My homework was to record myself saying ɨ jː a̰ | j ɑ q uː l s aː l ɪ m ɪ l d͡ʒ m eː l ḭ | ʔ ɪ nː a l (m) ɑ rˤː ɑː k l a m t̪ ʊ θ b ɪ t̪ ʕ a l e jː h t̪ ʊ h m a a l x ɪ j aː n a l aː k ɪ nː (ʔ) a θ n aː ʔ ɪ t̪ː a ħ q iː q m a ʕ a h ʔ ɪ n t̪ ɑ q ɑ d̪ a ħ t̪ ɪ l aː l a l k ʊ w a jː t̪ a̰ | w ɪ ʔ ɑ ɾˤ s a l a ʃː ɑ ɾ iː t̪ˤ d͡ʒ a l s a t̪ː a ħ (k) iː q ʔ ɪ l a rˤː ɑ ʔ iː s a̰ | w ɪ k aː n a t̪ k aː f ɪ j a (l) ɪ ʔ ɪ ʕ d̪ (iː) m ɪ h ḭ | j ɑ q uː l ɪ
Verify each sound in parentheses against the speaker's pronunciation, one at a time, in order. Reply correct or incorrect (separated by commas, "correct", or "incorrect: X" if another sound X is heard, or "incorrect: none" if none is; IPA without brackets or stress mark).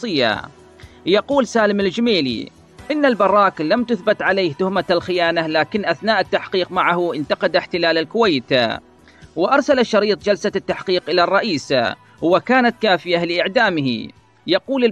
incorrect: b, correct, incorrect: q, correct, incorrect: aː